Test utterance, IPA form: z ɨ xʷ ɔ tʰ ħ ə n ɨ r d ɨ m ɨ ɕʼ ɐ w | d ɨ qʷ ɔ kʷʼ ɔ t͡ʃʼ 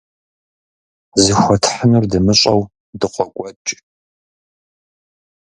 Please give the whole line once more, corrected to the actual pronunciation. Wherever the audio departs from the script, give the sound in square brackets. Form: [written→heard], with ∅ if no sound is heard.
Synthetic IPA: z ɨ xʷ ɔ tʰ ħ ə n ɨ r d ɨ m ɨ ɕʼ ɐ w | d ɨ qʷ ɔ kʷʼ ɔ t͡ʃʼ